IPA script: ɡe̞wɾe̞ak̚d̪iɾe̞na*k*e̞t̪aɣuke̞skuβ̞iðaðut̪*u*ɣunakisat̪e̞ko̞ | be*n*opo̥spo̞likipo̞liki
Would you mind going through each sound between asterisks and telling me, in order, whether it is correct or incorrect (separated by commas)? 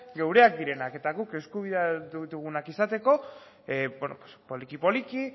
correct, correct, correct